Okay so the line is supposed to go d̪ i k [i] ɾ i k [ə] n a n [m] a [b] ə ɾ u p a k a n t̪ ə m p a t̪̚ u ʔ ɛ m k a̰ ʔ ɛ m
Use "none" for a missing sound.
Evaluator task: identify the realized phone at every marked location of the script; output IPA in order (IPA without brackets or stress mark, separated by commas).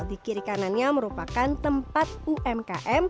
i, a, ɲ, m